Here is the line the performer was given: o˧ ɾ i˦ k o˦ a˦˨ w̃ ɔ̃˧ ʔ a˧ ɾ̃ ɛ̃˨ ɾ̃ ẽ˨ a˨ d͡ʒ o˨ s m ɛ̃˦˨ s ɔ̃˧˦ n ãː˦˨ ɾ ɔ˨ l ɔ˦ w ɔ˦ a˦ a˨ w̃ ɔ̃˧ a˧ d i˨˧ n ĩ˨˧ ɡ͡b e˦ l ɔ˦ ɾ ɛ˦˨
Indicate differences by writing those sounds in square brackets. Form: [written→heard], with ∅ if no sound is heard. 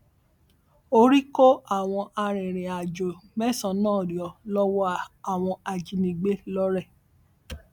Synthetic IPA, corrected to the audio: o˧ ɾ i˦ k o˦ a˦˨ w̃ ɔ̃˧ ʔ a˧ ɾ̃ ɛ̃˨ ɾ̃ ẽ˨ a˨ d͡ʒ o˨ [s→∅] m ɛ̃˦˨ s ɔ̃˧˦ n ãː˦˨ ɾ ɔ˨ l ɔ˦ w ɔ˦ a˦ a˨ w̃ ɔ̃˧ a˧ [d→d͡ʒ] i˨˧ n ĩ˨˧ ɡ͡b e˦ l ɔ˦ ɾ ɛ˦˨